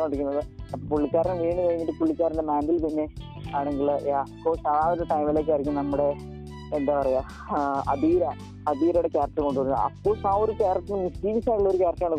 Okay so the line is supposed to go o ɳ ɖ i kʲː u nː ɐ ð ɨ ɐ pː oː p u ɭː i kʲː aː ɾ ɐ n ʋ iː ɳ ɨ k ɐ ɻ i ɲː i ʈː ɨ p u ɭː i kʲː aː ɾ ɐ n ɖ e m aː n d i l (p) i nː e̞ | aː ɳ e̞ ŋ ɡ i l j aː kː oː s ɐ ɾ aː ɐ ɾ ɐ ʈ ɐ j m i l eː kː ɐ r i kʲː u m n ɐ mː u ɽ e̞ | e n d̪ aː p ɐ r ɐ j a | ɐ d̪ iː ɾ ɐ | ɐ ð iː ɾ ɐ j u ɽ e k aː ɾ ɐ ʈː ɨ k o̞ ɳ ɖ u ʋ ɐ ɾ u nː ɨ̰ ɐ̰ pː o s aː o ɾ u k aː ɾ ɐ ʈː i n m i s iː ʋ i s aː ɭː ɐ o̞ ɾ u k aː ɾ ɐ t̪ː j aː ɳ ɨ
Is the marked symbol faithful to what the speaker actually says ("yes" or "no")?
yes